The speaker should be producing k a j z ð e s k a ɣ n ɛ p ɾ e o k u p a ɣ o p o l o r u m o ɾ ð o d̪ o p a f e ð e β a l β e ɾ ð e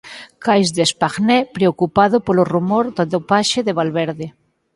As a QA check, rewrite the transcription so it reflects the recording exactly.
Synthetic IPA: k a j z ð e s p a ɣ n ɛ p ɾ e o k u p a ð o p o l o r u m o ɾ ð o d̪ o p a ʃ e ð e β a l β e ɾ ð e